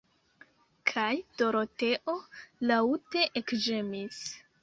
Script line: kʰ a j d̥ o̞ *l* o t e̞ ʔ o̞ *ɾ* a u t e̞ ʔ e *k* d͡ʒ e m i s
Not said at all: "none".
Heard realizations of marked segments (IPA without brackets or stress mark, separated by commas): ɾ, l, k